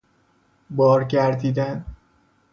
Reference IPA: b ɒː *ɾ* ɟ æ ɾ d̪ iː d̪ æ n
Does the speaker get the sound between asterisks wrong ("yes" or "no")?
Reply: no